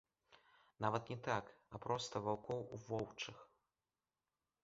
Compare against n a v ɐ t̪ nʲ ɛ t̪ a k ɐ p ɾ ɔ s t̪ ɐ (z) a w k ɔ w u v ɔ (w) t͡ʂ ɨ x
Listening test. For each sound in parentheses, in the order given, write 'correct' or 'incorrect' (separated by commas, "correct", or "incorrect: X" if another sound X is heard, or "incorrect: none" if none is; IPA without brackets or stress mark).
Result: incorrect: v, correct